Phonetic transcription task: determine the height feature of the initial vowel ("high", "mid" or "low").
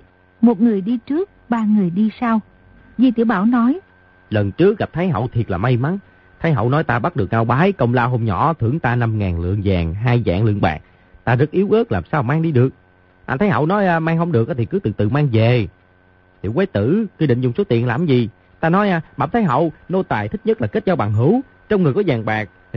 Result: mid